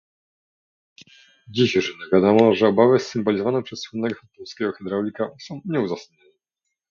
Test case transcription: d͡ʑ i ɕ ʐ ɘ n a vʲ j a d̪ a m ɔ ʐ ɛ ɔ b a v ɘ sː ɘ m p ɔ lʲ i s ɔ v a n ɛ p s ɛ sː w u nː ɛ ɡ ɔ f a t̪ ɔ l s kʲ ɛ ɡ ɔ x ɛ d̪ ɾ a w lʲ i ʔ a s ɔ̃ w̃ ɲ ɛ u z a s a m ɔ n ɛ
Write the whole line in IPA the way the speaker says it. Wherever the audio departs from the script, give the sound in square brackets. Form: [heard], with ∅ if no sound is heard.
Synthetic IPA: d͡ʑ i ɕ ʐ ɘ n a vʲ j a d̪ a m ɔ ʐ ɛ ɔ b a v ɘ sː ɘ m [b] ɔ lʲ i [z] ɔ v a n ɛ p [ʂ] ɛ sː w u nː ɛ ɡ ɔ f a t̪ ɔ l s kʲ ɛ ɡ ɔ x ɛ d̪ ɾ a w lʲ i [k] a s ɔ̃ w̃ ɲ ɛ u z a s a [ɲ] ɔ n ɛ